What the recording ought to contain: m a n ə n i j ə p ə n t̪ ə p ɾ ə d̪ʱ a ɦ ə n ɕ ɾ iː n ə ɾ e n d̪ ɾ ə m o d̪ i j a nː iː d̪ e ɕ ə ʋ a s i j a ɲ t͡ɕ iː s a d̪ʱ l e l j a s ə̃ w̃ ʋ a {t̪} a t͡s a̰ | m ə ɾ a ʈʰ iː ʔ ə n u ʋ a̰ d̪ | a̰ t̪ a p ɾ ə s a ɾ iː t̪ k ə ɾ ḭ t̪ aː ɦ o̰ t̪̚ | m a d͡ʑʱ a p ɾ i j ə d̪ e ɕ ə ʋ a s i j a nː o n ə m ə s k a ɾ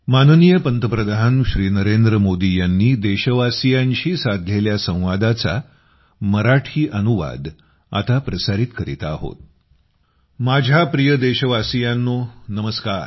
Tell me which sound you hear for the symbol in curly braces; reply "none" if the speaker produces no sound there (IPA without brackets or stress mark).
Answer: d̪